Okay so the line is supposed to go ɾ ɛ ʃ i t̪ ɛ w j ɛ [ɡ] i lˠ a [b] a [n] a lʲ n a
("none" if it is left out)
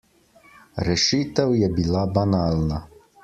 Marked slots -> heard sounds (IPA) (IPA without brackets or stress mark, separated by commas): b, b, n